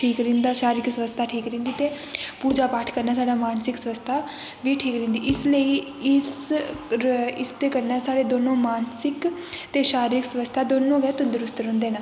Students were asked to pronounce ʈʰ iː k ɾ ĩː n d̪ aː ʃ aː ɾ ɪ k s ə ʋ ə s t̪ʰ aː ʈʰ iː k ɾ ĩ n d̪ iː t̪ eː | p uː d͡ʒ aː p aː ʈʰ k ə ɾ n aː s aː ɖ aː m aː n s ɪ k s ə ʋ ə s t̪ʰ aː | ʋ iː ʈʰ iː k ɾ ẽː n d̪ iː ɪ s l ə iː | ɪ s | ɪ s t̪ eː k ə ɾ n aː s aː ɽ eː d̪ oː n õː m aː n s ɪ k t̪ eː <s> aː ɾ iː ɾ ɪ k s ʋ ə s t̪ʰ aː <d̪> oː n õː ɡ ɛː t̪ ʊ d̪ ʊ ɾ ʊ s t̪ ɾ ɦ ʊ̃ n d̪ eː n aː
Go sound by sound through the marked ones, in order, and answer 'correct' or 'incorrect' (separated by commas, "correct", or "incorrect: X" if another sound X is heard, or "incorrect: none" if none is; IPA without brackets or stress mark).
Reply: incorrect: ʃ, correct